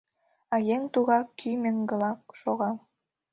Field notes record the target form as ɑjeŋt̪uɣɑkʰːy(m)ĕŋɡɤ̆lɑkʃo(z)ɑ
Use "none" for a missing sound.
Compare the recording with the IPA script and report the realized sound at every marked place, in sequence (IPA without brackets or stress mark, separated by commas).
m, ɣ